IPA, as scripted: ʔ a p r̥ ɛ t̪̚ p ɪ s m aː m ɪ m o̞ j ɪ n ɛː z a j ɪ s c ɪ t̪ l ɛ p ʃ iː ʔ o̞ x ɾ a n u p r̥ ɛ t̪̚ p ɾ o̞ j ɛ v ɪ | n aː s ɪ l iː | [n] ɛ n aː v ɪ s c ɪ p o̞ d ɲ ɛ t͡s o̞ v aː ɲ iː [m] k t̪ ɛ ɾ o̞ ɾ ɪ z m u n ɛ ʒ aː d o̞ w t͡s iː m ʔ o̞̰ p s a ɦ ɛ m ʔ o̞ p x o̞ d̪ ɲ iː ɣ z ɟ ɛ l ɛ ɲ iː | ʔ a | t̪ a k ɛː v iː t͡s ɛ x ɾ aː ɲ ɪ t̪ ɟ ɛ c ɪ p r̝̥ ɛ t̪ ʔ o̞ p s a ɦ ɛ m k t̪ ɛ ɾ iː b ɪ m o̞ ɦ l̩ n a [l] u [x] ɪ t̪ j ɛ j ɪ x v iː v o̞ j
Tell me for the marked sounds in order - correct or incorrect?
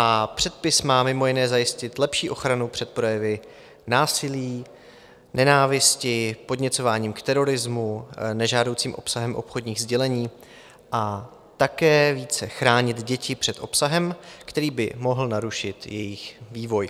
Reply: correct, correct, incorrect, incorrect

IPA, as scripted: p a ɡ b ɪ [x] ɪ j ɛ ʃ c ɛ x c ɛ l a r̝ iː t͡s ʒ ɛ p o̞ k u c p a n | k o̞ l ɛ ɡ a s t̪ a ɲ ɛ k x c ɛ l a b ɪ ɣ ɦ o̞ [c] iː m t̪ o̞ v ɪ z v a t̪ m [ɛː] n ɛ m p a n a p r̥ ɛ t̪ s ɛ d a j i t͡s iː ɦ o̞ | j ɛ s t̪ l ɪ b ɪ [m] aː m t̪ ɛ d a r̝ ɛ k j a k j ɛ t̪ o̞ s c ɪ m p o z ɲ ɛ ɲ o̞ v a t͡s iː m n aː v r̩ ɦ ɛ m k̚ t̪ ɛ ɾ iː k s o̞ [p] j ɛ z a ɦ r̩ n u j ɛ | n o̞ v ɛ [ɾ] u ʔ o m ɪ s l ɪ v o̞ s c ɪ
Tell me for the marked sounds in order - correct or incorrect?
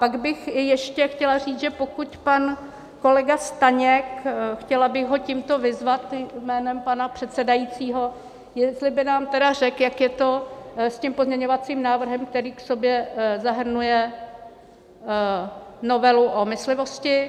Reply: correct, correct, correct, incorrect, incorrect, incorrect

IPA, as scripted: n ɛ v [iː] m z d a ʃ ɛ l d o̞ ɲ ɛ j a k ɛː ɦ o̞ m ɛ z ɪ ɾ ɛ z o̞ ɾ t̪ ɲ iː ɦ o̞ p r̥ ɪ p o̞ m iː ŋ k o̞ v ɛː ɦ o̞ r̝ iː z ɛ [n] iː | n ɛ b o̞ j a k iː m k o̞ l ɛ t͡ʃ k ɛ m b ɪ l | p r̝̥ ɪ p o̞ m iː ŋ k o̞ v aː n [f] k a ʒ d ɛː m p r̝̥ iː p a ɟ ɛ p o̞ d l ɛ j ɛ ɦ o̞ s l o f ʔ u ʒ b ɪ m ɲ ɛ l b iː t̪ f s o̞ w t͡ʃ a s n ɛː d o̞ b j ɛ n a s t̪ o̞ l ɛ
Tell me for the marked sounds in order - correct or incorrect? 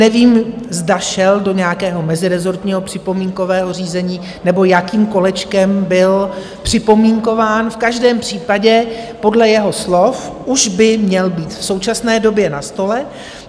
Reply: correct, incorrect, correct

